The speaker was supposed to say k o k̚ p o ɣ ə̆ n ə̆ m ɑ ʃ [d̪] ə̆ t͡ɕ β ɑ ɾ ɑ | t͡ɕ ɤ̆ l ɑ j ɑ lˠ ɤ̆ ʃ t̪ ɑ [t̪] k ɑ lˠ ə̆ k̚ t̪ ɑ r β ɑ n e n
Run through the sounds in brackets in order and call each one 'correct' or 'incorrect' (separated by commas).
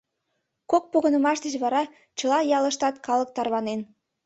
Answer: correct, correct